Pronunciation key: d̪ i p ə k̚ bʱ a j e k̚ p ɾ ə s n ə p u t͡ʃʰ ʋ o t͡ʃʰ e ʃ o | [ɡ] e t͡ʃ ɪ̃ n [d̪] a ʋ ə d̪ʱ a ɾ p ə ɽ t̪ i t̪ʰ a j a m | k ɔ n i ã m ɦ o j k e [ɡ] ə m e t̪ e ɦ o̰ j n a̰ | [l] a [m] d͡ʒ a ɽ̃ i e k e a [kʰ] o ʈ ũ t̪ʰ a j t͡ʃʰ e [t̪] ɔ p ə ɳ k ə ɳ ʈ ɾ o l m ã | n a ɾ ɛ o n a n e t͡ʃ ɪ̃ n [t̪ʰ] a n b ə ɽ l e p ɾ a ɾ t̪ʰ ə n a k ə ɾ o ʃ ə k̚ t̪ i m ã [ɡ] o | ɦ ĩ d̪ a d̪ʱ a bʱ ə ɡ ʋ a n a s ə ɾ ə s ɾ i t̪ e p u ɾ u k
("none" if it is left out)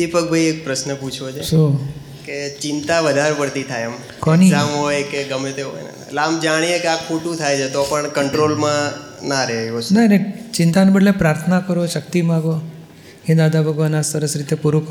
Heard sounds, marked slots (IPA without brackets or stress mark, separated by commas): k, t̪, ɡ, l, m, kʰ, t̪, t̪, ɡ